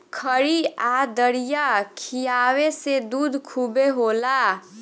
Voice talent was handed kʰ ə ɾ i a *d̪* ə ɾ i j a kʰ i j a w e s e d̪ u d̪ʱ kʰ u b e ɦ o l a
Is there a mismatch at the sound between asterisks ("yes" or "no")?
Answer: no